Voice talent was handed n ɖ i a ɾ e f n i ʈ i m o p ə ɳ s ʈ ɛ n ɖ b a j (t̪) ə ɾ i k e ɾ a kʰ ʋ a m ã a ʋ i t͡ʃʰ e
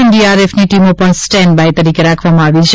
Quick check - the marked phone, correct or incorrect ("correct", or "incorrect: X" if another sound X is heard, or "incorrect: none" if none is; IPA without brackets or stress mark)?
correct